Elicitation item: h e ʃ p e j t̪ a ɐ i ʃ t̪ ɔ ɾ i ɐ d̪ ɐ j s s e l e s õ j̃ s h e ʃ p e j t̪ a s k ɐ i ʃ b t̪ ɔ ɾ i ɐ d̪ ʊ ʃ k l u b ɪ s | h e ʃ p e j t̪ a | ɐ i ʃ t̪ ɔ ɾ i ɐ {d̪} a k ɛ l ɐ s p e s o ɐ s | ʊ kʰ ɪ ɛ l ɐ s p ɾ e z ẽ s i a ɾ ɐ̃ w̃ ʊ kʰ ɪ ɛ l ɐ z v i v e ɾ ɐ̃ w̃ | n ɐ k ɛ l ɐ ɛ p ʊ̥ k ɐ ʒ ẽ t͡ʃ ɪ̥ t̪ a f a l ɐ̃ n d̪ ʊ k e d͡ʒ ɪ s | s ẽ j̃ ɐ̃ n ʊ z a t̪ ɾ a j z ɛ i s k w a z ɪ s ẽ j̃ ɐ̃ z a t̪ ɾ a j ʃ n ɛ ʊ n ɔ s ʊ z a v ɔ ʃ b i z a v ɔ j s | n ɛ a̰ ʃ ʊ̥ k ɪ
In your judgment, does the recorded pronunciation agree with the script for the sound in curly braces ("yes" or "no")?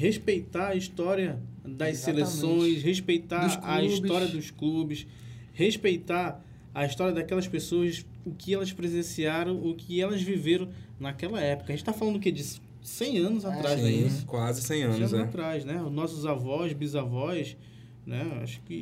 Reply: yes